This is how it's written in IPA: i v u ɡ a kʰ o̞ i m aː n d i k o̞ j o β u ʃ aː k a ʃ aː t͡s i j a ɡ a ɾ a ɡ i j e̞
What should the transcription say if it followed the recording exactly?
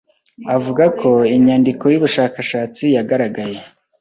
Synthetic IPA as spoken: a v u ɡ a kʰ o̞ i ɲ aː n d i k o̞ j u β u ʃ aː k a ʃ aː t͡s i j a ɡ a ɾ a ɡ a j e̞

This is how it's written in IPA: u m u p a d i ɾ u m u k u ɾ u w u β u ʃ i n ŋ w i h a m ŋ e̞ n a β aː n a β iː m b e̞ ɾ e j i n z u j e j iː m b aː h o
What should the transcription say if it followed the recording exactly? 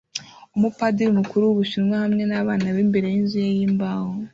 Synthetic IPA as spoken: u m u p a d i ɾ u m u k u ɾ u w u β u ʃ i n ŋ w a h a m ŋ e̞ n a β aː n a β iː m b e̞ ɾ e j i n z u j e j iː m b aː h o

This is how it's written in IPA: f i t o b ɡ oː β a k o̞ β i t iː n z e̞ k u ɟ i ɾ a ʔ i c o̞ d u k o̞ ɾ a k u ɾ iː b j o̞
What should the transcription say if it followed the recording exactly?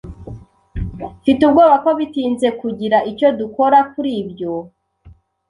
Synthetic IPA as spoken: f i t u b ɡ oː β a k o̞ β i t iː n z e̞ k u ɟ i ɾ a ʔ i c o̞ d u k o̞ ɾ a k u ɾ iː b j o̞

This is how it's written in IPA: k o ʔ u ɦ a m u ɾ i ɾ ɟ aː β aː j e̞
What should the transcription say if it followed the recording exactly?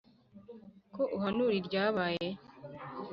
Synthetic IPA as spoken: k o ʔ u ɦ a n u ɾ i ɾ ɟ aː β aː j e̞

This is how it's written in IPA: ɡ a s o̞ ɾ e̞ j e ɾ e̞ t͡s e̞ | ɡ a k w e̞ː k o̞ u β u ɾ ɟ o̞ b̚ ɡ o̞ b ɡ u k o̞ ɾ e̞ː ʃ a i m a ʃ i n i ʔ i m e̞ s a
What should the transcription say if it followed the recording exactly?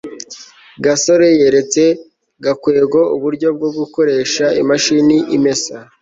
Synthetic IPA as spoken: ɡ a s o̞ ɾ e̞ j e ɾ e̞ t͡s e̞ | ɡ a k w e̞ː ɡ o̞ u β u ɾ ɟ o̞ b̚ ɡ o̞ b ɡ u k o̞ ɾ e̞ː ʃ a i m a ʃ i n i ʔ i m e̞ s a

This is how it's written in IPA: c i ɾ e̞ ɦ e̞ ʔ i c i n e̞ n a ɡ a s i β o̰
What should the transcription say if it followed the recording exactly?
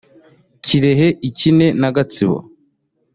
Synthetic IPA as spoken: c i ɾ e̞ ɦ e̞ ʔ i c i n e̞ n a ɡ a t͡s i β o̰

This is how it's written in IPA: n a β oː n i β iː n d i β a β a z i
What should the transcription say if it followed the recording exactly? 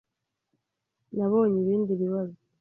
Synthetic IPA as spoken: n a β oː ɲ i β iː n d i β i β a z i

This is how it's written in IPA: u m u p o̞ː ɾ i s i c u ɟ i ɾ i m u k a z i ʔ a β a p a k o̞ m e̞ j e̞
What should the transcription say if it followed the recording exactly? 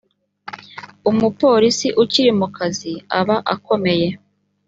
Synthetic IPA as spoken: u m u p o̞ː ɾ i s i ʔ u c i ɾ i m u k a z i a β a ʔ a k o̞ m e̞ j e̞

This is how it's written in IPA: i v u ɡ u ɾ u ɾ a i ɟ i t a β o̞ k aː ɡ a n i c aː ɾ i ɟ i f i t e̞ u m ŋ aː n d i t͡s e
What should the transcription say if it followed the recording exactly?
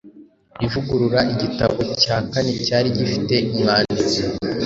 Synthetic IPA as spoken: i v u ɡ u ɾ u ɾ a i ɟ i t a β o̞ c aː k a n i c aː ɾ i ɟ i f i t e̞ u m ŋ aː n d i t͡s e

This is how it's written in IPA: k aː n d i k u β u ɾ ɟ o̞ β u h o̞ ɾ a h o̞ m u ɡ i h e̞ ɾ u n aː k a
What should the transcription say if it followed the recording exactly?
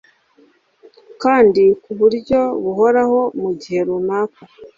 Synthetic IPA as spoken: k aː n d i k u β u ɾ ɟ o̞ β u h o̞ ɾ a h o̞ m u ɟ i h e̞ ɾ u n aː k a

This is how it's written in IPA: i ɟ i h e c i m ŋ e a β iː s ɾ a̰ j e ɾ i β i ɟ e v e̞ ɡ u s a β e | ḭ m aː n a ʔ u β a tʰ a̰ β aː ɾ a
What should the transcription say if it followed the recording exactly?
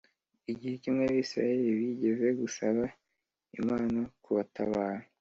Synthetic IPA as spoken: i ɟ i h e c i m ŋ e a β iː s ɾ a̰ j e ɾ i β i ɟ e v e̞ ɡ u s a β a | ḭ m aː n a k u β a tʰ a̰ β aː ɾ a

